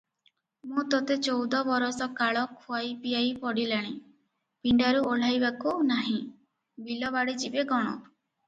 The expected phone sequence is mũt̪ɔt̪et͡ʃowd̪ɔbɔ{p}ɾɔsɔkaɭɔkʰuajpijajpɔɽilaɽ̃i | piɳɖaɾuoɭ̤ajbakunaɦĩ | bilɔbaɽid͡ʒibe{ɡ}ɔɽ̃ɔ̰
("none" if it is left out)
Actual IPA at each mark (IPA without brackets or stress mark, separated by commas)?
none, ɡ